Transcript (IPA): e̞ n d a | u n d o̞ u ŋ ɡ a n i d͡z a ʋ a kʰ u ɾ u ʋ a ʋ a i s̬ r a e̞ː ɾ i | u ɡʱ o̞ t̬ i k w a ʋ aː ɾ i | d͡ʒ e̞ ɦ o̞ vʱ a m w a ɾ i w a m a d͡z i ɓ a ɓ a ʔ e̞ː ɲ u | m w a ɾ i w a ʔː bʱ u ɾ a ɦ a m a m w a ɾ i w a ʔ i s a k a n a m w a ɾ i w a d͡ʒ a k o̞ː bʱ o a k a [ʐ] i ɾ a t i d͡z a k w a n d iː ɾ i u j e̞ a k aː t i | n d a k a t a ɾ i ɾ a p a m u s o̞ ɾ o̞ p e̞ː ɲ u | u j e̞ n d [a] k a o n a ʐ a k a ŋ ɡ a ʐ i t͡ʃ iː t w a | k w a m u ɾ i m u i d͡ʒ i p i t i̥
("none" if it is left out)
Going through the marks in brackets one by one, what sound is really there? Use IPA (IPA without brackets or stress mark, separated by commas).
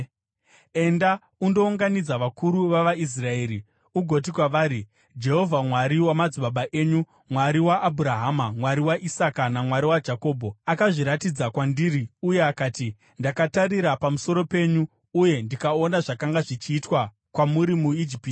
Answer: ʐ, i